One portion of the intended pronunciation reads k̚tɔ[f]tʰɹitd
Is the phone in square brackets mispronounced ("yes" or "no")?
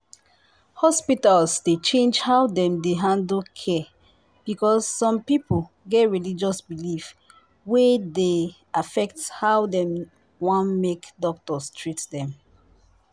yes